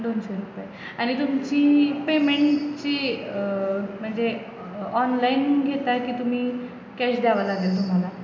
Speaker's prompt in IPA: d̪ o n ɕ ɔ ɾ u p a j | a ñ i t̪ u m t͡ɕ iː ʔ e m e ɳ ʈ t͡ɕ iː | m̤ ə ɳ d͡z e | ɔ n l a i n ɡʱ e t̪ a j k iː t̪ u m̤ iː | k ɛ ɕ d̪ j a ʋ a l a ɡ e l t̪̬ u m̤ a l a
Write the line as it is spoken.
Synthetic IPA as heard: d̪ o n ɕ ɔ ɾ u p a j | a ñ i t̪ u m t͡ɕ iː p e m e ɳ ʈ t͡ɕ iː | m̤ ə ɳ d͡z e | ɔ n l a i n ɡʱ e t̪ a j k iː t̪ u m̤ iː | k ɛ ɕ d̪ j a ʋ a l a ɡ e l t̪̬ u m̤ a l a